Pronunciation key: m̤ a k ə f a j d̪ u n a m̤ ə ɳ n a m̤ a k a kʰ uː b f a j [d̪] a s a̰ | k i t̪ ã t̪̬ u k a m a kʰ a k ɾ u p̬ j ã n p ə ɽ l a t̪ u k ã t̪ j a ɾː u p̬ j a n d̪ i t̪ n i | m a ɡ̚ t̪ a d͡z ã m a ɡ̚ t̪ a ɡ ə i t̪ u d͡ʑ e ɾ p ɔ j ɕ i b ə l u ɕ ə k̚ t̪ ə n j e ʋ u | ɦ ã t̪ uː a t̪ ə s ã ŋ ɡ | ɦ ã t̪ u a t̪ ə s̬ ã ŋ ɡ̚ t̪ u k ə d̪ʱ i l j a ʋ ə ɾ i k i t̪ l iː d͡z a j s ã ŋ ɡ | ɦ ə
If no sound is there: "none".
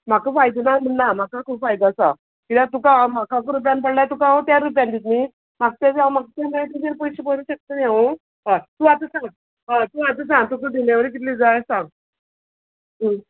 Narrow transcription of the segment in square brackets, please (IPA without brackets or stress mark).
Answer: d̪